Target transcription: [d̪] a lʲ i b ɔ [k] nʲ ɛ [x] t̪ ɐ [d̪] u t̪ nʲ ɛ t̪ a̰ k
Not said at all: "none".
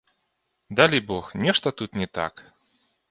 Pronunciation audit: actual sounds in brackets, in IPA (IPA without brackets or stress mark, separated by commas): d̪, x, ʂ, t̪